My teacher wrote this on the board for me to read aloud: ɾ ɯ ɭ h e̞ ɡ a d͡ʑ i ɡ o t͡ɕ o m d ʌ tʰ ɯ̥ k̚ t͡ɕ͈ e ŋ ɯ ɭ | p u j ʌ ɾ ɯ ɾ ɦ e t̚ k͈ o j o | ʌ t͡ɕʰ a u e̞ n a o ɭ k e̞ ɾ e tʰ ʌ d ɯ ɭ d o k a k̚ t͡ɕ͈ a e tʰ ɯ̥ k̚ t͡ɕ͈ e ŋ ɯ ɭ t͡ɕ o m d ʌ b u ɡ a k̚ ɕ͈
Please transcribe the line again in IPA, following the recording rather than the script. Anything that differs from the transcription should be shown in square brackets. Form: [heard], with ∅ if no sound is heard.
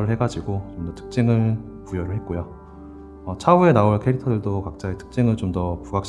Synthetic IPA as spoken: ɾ ɯ ɭ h e̞ ɡ a d͡ʑ i ɡ o t͡ɕ o m d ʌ tʰ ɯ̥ k̚ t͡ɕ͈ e ŋ ɯ ɭ | p u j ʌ ɾ ɯ [ɭ] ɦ e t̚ k͈ o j o | ʌ t͡ɕʰ a u e̞ n a o ɭ [kʰ] e̞ ɾ [i] tʰ ʌ d ɯ ɭ d o k a k̚ t͡ɕ͈ a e tʰ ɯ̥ k̚ t͡ɕ͈ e ŋ ɯ ɭ t͡ɕ o m d ʌ [p] u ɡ a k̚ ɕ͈